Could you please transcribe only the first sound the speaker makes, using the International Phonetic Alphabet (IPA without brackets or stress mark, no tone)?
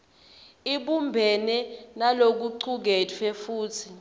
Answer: i